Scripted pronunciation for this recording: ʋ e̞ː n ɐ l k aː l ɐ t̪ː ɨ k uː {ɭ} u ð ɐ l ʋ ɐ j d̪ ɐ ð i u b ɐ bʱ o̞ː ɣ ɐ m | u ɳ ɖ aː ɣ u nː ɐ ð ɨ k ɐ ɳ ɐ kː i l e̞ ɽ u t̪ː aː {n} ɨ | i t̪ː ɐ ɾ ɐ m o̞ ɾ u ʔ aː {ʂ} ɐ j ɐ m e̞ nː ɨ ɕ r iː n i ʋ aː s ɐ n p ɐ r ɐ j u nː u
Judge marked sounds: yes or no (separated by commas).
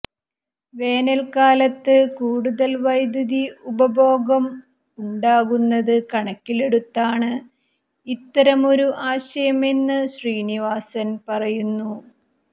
no, no, no